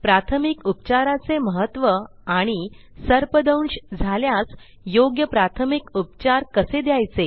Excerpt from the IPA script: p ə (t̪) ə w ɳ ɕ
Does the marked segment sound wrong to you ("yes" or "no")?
yes